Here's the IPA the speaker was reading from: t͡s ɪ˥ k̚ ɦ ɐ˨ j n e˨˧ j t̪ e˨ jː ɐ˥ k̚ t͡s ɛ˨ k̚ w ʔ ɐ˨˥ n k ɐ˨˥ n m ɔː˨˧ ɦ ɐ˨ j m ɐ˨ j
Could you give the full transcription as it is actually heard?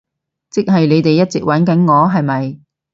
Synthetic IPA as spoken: t͡s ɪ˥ k̚ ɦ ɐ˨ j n e˨˧ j t̪ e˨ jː ɐ˥ t̚ t͡s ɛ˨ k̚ w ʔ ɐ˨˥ n k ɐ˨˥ n ŋ ɔː˨˧ ɦ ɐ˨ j m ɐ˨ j